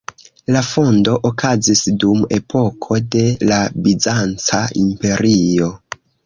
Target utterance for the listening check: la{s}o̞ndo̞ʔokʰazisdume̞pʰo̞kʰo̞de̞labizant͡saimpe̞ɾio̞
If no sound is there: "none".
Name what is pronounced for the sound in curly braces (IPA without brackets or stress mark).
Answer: f